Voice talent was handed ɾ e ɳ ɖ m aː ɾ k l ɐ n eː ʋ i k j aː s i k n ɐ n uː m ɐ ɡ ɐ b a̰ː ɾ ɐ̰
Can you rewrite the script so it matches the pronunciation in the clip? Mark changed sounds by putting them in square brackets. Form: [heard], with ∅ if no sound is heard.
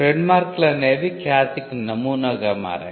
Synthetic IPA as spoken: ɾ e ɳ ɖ m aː ɾ k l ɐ n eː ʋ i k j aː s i k n ɐ [m] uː [n] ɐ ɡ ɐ [m] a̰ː ɾ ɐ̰